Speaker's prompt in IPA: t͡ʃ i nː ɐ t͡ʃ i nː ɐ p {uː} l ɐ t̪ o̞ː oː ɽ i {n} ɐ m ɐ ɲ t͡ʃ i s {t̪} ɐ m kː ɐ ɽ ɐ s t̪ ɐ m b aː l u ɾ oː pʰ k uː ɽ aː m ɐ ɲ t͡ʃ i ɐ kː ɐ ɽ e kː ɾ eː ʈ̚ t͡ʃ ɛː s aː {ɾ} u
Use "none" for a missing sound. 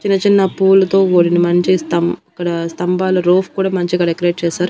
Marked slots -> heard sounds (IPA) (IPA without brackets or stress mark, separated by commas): uː, n, t̪, ɾ